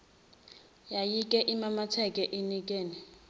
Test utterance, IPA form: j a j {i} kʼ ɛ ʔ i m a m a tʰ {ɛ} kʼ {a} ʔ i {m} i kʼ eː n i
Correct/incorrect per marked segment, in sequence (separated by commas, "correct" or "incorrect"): correct, correct, incorrect, incorrect